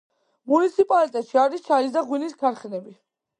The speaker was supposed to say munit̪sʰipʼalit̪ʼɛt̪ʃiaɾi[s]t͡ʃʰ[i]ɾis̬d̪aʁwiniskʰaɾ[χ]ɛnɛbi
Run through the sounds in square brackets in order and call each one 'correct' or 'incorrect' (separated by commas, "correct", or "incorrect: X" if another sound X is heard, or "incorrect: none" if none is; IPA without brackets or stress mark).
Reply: correct, incorrect: a, correct